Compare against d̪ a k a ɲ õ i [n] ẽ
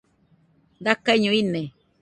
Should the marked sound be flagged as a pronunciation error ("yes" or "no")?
no